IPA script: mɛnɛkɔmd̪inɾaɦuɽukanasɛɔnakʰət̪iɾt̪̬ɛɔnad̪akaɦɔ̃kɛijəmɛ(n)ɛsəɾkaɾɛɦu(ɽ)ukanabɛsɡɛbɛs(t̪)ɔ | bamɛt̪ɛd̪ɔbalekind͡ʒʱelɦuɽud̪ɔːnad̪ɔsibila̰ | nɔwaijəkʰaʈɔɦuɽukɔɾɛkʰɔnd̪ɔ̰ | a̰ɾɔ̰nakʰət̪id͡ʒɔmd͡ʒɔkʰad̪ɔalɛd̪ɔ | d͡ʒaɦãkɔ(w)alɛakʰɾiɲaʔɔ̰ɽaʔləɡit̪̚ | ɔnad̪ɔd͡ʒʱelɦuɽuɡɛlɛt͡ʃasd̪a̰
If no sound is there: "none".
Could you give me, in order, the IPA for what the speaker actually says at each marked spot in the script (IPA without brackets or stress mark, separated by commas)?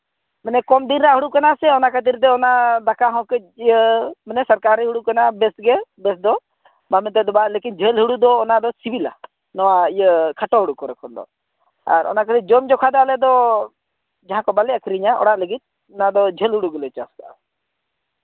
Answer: n, ɽ, d̪, b